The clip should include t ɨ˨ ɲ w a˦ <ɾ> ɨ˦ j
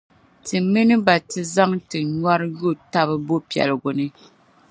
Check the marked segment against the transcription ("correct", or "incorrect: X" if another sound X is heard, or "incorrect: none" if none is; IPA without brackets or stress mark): correct